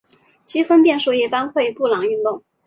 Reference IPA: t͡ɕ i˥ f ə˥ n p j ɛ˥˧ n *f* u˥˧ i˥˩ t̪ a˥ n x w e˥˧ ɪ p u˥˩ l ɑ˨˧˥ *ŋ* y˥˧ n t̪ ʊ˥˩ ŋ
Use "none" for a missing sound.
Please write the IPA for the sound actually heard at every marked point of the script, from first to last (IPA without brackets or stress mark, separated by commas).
ʂ, ŋ